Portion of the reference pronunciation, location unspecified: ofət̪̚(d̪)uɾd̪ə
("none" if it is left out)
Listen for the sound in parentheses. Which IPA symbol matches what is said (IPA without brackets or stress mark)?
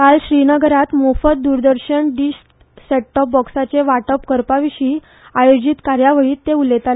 d̪